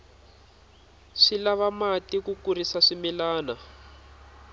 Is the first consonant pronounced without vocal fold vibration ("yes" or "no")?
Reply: yes